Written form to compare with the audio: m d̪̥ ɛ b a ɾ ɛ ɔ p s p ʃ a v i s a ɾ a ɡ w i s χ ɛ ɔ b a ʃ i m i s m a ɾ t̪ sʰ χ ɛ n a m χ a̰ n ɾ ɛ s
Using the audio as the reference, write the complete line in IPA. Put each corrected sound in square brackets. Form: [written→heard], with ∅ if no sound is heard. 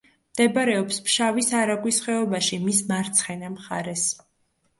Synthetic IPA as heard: m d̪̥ ɛ b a ɾ ɛ ɔ p s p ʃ a v i s a ɾ a ɡ w i s χ ɛ ɔ b a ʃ i m i s m a ɾ t̪ sʰ χ ɛ n a m χ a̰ [n→∅] ɾ ɛ s